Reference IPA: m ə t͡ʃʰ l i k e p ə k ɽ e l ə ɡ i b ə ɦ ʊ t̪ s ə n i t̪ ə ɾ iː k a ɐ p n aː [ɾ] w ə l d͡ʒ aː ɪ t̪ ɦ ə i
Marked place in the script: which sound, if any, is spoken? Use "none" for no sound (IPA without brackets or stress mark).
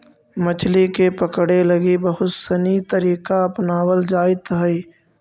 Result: none